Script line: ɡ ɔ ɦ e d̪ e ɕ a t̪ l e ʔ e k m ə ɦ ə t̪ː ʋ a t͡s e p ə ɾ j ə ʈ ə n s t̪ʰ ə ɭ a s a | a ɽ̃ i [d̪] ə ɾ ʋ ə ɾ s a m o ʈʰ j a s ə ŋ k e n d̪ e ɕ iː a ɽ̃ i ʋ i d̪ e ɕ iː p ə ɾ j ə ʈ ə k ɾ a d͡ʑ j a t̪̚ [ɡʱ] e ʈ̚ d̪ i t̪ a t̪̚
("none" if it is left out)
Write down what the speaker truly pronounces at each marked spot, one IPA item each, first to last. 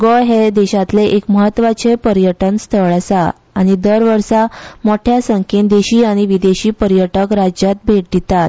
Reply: d̪, bʱ

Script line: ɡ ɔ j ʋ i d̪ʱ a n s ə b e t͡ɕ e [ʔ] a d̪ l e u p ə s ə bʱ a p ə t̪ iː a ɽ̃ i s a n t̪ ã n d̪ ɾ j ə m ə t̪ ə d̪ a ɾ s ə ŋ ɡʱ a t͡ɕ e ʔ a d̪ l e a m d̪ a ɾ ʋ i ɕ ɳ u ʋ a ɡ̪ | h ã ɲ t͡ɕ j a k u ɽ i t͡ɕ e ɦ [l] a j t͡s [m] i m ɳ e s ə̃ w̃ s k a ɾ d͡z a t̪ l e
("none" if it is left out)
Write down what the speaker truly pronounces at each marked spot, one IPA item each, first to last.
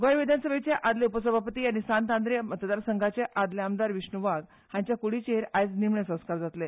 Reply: ʔ, ɾ, n

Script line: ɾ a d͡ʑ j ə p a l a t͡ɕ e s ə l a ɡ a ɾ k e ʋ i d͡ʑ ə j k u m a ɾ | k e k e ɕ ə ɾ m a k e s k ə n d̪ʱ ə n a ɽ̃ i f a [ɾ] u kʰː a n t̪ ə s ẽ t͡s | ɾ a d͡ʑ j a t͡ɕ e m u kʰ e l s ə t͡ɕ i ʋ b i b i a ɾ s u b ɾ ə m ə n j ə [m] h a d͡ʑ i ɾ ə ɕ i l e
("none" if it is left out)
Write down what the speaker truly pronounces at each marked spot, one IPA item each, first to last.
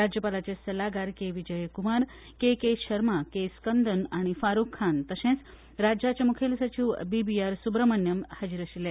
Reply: ɾ, m

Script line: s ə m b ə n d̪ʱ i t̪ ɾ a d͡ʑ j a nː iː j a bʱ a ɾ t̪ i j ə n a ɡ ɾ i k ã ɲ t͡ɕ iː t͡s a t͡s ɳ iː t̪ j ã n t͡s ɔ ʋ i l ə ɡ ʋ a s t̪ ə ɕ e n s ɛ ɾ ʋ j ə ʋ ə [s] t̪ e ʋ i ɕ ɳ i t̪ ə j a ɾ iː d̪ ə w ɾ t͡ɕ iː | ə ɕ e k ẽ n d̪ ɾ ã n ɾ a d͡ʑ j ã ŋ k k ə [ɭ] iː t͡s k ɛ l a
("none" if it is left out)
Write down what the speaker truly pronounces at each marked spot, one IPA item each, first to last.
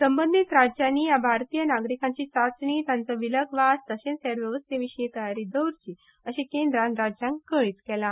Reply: s, ɭ

